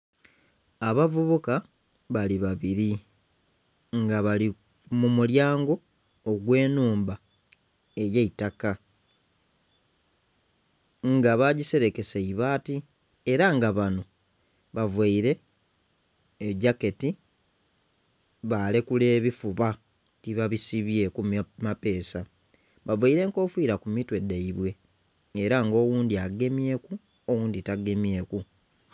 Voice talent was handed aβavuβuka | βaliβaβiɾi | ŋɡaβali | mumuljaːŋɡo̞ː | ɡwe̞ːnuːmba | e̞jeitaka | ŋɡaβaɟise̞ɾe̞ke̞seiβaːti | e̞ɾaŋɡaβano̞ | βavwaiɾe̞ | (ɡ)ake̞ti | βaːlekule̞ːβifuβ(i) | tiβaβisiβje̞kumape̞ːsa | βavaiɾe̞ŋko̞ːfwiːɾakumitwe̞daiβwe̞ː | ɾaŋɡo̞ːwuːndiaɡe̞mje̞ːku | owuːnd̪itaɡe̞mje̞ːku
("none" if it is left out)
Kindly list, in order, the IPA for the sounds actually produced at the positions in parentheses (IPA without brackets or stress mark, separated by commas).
ɟ, a